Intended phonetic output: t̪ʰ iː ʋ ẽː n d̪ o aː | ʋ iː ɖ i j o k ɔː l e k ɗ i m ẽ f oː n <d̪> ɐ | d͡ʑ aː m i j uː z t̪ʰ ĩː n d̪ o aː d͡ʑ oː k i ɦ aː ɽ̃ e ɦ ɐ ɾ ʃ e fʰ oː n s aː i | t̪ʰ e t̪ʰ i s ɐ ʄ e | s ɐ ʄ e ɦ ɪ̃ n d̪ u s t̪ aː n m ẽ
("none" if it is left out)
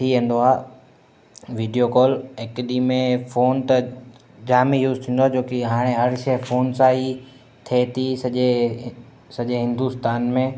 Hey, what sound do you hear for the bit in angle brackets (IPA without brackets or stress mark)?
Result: t̪